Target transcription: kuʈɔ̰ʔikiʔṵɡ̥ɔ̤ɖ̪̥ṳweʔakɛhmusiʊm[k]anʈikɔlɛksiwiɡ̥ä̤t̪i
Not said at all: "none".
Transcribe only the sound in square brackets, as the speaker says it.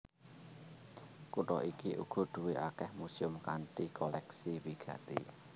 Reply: k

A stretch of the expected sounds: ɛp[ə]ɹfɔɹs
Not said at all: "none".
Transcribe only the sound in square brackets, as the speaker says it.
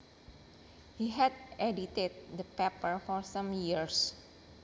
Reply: ə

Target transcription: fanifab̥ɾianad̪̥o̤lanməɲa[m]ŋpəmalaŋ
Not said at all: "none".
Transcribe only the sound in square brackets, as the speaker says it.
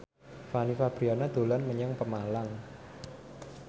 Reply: none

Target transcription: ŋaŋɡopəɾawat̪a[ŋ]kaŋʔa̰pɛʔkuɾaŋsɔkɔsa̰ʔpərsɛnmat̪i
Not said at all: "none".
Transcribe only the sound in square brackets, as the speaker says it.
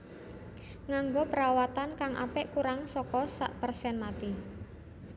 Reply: n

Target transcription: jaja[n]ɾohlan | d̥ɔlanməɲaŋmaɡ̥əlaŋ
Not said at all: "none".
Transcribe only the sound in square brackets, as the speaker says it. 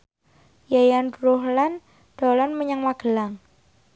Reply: n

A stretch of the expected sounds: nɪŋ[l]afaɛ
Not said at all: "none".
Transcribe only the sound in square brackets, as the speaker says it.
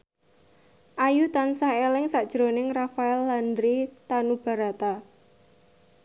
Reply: r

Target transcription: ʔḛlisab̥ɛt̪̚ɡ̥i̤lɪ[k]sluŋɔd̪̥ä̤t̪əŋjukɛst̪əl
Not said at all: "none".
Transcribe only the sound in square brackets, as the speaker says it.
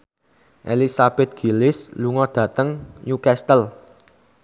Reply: none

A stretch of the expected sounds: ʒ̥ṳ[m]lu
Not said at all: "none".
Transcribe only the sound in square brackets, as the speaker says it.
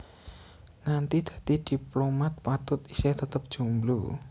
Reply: m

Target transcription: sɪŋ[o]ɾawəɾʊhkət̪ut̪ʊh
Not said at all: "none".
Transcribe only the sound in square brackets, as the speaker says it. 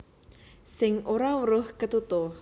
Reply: o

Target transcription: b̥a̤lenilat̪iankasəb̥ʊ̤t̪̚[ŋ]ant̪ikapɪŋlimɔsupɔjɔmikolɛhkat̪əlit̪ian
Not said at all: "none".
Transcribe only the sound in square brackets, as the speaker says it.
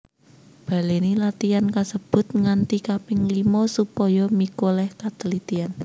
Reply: ŋ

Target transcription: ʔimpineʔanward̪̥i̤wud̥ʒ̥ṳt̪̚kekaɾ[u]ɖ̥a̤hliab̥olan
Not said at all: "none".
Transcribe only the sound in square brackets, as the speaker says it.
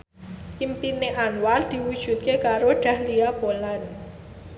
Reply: o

